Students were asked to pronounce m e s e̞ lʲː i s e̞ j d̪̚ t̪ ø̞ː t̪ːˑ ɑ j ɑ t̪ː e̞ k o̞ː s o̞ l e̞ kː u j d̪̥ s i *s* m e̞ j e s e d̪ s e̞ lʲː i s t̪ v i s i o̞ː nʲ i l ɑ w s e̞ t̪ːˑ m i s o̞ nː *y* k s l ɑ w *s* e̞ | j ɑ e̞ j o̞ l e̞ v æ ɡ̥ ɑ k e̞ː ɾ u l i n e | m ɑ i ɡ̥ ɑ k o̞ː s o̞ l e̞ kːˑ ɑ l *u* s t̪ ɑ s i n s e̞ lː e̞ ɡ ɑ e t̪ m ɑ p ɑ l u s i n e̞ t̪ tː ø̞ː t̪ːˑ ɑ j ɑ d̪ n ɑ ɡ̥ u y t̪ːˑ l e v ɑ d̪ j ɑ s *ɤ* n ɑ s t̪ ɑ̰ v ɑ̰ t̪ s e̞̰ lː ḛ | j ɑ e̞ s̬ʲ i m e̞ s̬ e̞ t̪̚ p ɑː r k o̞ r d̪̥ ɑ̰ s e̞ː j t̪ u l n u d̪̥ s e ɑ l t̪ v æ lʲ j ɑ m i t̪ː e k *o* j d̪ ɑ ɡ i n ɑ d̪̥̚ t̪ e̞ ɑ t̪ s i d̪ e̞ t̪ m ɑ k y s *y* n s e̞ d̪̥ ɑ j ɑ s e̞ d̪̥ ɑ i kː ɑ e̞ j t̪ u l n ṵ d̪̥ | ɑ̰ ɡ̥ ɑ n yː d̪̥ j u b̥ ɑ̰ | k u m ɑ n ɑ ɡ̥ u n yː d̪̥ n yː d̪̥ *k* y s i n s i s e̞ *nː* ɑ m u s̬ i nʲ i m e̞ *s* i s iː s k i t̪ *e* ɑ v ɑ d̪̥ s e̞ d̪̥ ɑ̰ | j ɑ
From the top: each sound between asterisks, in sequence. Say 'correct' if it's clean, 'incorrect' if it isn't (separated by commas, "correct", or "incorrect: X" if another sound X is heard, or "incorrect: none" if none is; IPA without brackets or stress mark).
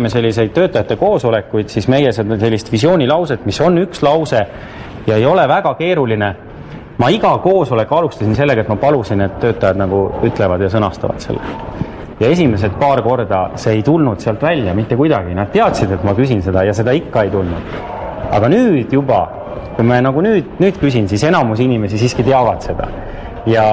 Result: correct, correct, correct, correct, correct, incorrect: u, incorrect: i, correct, incorrect: n, correct, correct